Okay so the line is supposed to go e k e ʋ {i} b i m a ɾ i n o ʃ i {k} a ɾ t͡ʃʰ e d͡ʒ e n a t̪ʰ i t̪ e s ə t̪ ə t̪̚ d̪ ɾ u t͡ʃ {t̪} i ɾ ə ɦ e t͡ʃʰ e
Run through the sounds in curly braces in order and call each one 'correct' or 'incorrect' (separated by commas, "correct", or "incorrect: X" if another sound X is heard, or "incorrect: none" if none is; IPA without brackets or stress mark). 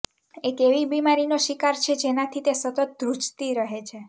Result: correct, correct, correct